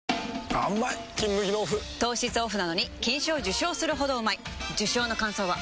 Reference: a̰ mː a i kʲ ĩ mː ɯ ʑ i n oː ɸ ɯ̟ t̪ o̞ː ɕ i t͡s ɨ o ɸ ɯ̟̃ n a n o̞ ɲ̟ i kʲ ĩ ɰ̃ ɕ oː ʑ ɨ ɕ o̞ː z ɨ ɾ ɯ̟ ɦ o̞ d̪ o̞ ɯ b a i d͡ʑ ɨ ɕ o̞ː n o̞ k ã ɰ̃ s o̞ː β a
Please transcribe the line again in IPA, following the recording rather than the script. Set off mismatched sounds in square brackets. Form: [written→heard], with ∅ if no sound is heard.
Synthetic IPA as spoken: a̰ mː a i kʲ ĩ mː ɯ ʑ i n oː ɸ ɯ̟ t̪ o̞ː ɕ i t͡s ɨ o ɸ [ɯ̟̃→ɯ̟] n a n o̞ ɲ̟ i kʲ ĩ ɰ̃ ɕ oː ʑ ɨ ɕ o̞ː [z→s] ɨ ɾ ɯ̟ ɦ o̞ d̪ o̞ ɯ [b→m] a i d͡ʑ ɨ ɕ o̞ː n o̞ k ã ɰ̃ s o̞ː β a